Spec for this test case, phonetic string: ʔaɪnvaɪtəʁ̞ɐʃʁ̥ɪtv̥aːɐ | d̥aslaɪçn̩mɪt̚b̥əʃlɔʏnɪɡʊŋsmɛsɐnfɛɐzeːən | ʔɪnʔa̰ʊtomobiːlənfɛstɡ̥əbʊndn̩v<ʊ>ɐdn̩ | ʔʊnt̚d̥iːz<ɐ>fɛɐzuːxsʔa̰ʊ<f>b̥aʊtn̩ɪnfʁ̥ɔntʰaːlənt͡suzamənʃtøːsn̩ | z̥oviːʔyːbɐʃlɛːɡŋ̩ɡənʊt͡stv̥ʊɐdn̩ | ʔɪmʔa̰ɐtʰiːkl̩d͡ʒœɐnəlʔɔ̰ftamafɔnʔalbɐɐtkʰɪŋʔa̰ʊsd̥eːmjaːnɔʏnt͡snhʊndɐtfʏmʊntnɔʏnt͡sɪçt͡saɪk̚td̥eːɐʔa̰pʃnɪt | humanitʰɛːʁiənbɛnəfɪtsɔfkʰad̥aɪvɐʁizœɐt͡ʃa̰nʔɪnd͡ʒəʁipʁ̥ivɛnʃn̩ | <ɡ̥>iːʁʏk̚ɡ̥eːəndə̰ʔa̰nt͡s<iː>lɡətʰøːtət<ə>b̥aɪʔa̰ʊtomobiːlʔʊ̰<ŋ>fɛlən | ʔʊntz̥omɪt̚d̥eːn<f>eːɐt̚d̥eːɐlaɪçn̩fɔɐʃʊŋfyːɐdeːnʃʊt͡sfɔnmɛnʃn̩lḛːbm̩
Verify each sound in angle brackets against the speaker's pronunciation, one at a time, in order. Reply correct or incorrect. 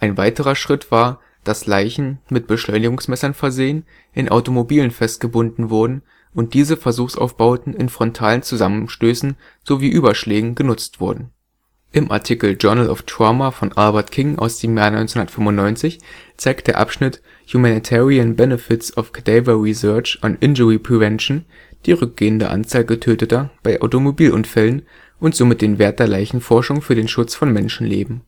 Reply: correct, incorrect, correct, incorrect, incorrect, incorrect, incorrect, incorrect

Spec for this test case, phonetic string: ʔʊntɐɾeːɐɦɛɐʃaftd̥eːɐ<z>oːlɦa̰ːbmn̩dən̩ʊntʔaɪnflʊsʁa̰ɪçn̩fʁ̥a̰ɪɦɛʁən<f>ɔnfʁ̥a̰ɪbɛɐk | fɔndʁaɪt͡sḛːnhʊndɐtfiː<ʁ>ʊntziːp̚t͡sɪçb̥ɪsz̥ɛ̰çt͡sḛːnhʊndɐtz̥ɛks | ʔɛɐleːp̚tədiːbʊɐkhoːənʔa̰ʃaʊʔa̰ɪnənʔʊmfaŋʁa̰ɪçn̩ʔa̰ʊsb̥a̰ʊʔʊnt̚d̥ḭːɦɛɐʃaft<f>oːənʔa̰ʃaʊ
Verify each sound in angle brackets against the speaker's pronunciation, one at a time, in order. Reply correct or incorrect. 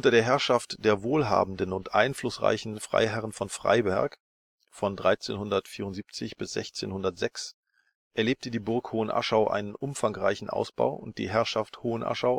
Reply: incorrect, correct, correct, incorrect

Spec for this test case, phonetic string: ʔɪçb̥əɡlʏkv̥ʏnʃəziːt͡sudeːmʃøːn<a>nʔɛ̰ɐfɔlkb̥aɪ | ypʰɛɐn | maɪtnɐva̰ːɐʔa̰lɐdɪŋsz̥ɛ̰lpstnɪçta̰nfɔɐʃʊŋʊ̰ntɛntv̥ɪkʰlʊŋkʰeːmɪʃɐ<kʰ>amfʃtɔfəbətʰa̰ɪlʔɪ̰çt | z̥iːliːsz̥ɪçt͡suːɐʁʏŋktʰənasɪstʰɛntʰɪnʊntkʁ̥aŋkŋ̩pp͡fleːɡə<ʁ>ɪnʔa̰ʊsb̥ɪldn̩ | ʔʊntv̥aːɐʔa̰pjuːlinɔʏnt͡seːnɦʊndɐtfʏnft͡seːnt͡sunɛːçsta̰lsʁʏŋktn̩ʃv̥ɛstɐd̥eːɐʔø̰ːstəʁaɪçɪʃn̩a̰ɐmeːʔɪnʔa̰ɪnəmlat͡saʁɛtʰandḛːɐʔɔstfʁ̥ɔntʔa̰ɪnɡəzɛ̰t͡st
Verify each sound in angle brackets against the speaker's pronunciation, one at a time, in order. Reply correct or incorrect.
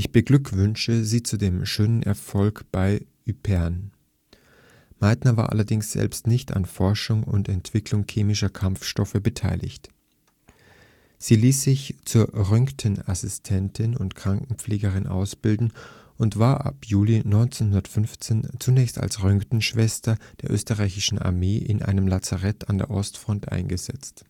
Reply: incorrect, correct, correct

